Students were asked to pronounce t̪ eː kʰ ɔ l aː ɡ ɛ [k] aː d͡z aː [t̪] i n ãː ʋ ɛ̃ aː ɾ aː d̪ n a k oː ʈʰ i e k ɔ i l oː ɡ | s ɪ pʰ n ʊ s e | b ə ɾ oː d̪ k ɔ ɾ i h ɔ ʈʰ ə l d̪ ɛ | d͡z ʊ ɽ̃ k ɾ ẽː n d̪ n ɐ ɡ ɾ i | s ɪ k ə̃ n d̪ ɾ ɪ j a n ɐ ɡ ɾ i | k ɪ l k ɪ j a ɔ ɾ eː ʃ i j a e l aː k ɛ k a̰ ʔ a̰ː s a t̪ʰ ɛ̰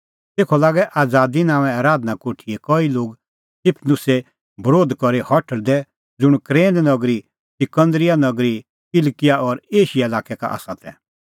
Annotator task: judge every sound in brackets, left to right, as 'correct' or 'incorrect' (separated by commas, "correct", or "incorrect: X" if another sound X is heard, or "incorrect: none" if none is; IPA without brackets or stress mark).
incorrect: ʔ, incorrect: d̪